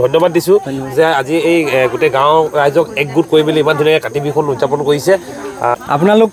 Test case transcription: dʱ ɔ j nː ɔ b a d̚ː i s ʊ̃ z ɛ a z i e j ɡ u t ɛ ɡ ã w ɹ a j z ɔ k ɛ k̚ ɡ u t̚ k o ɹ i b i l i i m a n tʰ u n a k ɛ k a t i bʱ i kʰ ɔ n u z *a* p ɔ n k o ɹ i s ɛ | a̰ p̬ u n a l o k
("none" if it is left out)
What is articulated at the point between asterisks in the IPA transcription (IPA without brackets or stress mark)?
a